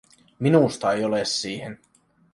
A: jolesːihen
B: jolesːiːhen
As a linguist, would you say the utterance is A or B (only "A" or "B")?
B